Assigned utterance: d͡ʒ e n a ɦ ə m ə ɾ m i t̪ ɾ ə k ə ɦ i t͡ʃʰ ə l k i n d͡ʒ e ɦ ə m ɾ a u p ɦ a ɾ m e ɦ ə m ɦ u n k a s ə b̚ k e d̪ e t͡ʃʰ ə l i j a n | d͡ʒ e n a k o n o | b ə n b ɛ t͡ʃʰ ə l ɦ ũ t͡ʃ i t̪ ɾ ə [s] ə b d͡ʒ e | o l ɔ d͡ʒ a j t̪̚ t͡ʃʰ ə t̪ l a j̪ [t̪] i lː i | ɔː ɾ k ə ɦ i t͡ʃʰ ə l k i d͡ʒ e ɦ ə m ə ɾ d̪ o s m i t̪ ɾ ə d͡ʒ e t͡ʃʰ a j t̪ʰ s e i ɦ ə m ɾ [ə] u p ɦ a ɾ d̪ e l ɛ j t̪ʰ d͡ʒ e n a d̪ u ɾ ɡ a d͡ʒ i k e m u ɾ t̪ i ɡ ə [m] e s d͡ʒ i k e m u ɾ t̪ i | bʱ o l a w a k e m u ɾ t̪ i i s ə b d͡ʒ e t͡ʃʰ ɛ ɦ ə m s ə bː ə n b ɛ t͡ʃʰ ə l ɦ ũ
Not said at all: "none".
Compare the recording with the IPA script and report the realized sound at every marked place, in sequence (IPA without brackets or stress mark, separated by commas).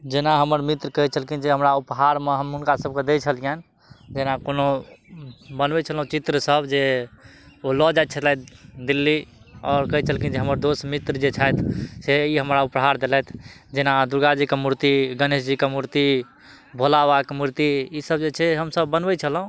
s, d̪, a, n